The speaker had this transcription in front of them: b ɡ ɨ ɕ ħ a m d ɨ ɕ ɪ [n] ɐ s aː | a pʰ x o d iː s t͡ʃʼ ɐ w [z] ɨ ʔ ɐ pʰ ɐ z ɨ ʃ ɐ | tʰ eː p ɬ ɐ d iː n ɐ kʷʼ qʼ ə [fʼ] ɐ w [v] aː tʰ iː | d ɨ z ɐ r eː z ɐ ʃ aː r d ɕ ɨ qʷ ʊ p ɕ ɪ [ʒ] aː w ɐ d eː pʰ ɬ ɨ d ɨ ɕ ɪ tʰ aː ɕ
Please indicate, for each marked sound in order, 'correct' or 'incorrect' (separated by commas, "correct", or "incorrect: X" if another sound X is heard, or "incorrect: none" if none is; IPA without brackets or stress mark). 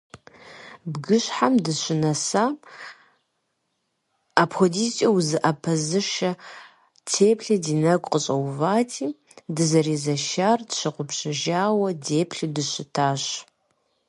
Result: correct, correct, incorrect: ɕʼ, correct, correct